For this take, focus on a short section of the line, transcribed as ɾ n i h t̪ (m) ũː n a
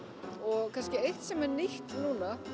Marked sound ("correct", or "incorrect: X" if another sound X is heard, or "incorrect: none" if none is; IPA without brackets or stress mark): incorrect: n